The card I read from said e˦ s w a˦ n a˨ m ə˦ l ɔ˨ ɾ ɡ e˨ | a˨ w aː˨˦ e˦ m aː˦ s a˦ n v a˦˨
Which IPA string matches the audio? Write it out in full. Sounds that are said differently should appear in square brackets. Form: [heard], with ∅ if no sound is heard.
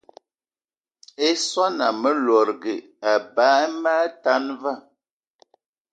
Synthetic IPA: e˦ s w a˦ n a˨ m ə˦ l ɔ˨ ɾ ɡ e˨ | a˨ [b] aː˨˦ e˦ m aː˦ [t] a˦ n v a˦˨